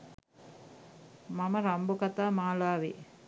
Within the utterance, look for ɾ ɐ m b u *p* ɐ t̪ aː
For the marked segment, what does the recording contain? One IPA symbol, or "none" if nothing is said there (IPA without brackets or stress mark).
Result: k